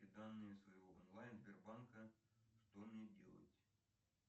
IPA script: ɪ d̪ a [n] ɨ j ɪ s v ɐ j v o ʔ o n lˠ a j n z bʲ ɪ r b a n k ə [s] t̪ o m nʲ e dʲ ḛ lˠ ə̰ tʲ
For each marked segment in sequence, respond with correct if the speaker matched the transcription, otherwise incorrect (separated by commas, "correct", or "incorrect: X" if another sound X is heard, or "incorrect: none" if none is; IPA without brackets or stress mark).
incorrect: nː, incorrect: ʂ